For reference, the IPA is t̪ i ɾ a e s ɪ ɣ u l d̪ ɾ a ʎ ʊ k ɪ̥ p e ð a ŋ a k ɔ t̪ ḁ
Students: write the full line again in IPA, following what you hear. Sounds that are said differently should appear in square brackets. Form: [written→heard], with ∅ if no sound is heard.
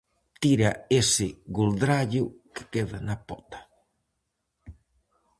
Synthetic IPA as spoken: t̪ i ɾ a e s ɪ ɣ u l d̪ ɾ a ʎ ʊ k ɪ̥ [p→k] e ð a [ŋ→n] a [k→p] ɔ t̪ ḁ